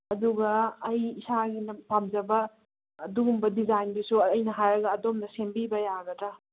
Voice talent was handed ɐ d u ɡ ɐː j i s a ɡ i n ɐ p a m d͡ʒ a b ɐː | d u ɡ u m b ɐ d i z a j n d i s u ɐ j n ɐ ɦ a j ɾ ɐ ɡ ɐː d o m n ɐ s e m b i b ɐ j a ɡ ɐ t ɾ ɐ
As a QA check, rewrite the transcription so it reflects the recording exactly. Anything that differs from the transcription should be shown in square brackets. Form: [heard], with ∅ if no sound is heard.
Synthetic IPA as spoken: ɐ d u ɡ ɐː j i s a ɡ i n ɐ p a m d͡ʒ [ɐ] b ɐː | d u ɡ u m b ɐ d i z a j n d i s u ɐ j n ɐ ɦ a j ɾ ɐ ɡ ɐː d o m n ɐ s e m b i b ɐ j a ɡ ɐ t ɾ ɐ